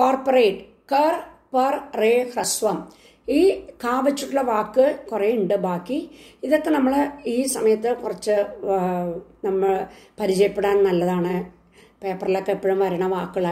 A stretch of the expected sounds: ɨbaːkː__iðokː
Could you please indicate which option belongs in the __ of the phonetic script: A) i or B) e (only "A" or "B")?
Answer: A